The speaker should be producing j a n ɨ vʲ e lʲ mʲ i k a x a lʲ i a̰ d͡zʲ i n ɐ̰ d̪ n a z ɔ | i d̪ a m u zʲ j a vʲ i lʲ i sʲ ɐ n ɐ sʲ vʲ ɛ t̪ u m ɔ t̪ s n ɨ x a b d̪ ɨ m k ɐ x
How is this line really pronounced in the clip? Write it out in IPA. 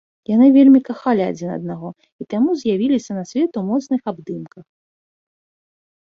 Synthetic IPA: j a n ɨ vʲ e lʲ mʲ i k a x a lʲ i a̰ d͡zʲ i n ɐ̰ d̪ n a ɣ ɔ | i t̪ a m u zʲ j a vʲ i lʲ i sʲ ɐ n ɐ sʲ vʲ ɛ t̪ u m ɔ t̪ s n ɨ x a b d̪ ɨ m k ɐ x